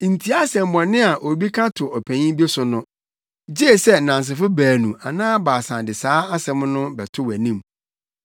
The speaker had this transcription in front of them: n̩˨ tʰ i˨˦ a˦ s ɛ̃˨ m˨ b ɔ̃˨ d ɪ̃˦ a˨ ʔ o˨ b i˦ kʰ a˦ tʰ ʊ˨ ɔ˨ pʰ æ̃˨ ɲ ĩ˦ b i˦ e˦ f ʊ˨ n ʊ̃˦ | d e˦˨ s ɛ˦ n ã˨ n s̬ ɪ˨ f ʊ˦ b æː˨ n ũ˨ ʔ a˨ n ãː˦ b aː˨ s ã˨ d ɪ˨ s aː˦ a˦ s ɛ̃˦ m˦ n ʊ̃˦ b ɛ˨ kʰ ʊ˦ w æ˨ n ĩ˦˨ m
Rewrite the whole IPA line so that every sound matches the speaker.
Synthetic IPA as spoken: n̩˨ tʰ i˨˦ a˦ s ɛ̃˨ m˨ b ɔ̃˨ n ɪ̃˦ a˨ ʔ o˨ b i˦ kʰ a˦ tʰ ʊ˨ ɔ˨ pʰ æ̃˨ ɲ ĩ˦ b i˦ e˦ s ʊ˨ n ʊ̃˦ | d͡ʑ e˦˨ s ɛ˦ n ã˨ n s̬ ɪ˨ f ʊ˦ b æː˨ n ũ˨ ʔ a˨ n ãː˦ b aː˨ s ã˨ d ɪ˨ s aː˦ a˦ s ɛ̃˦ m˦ n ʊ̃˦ b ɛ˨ tʰ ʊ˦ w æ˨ n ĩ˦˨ m